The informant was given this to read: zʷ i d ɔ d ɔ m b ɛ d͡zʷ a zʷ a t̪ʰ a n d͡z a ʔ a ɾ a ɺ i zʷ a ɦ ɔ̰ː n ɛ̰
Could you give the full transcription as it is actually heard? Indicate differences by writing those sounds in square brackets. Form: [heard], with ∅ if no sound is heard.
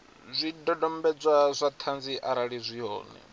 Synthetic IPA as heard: zʷ i d ɔ d ɔ m b ɛ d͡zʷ a zʷ a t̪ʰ a n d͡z [i] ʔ a ɾ a ɺ i zʷ [i] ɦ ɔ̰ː n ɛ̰